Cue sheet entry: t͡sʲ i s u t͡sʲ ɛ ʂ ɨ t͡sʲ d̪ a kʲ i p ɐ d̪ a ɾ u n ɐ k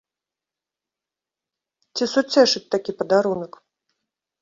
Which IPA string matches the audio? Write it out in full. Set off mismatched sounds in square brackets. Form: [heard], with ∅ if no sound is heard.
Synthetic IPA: t͡sʲ i s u t͡sʲ ɛ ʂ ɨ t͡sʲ [t̪] a kʲ i p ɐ d̪ a ɾ u n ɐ k